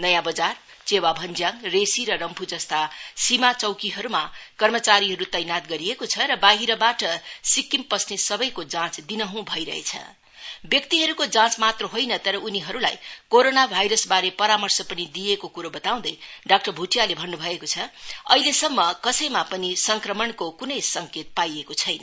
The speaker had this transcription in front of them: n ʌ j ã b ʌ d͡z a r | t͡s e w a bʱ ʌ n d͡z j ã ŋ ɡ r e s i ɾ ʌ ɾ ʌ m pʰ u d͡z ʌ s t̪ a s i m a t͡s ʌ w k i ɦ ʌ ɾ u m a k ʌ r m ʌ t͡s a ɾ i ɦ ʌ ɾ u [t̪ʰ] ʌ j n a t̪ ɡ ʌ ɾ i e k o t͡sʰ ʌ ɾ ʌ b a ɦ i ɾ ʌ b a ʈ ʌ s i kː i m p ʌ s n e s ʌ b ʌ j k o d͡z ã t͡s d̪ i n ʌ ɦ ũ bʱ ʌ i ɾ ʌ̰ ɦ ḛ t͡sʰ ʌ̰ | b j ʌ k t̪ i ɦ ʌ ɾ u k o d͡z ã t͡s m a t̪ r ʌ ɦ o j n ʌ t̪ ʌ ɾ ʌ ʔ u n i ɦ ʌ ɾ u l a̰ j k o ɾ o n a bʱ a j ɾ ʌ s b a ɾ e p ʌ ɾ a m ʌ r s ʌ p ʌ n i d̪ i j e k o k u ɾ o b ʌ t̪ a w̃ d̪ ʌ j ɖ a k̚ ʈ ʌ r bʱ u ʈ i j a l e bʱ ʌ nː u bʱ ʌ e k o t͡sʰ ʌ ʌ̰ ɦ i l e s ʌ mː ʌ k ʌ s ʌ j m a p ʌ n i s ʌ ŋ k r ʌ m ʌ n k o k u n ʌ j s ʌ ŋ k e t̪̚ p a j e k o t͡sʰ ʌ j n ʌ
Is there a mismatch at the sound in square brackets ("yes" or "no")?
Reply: yes